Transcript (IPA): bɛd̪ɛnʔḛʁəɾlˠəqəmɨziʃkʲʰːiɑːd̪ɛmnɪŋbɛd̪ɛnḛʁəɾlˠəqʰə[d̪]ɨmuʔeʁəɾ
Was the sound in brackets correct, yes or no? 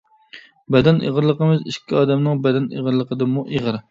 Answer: yes